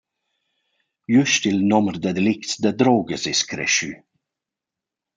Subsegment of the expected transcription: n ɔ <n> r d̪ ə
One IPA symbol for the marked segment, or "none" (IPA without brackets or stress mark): m